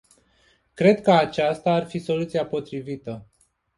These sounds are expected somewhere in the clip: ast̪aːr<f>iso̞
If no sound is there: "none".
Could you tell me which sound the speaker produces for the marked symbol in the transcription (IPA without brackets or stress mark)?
f